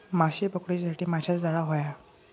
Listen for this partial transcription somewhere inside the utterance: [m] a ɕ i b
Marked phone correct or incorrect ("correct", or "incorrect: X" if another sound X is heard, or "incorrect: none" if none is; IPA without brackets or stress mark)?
correct